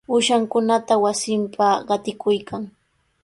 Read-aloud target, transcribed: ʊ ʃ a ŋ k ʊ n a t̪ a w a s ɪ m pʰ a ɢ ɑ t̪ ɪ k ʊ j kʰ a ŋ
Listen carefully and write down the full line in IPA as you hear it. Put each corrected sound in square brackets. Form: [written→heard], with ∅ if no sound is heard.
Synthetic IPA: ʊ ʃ a ŋ k ʊ n a t̪ a w a s ɪ m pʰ a ɢ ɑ t̪ ɪ k ʊ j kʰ a ŋ